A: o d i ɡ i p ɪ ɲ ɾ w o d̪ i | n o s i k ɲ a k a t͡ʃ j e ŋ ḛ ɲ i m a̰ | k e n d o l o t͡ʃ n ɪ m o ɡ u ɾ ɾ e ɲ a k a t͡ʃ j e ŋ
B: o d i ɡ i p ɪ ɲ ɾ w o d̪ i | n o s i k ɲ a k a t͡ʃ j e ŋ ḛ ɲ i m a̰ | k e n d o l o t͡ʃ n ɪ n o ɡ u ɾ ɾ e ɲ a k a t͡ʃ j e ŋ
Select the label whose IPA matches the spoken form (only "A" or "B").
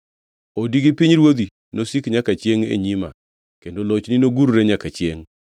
B